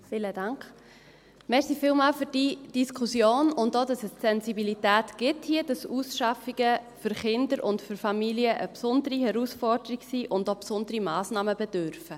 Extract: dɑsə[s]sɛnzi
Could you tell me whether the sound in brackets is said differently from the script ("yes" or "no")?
no